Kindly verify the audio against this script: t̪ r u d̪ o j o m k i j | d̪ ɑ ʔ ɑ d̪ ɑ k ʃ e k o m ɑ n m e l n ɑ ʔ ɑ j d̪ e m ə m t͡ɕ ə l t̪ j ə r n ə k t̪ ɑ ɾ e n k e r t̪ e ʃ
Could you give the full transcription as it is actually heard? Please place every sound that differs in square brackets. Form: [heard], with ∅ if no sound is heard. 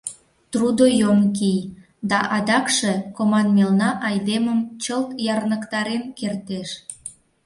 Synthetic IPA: t̪ r u d̪ o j o m k i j | d̪ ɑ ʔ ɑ d̪ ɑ k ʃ e k o m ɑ n m e l n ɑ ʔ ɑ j d̪ e m ə m t͡ɕ ə l t̪ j [ɑ] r n ə k t̪ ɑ ɾ e n k e r t̪ e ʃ